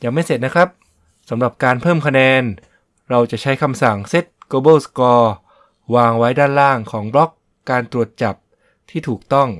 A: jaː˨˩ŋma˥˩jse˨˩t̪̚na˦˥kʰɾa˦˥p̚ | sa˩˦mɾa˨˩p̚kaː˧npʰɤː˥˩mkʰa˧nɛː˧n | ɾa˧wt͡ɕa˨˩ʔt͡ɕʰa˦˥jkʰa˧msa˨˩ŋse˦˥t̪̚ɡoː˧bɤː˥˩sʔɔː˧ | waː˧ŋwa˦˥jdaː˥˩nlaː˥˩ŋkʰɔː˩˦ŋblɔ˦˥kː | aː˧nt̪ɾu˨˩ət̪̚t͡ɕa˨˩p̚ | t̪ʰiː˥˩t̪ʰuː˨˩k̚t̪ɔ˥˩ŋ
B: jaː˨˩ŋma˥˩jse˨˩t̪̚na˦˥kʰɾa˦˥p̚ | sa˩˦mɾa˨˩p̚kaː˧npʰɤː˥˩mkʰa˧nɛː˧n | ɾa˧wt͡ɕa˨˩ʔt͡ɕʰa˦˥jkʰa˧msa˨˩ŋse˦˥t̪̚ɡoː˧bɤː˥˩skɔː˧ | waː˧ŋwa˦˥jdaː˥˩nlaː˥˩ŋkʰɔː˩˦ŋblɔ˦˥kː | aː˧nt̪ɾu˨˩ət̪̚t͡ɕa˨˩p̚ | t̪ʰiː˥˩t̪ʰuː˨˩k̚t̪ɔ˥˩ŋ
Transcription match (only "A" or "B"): B